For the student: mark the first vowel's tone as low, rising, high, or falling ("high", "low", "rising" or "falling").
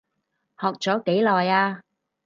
low